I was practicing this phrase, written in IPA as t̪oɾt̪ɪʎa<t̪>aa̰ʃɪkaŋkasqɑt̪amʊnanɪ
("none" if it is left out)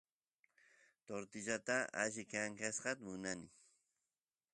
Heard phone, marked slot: t̪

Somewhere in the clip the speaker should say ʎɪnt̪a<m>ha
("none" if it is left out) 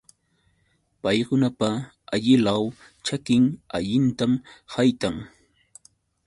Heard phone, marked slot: m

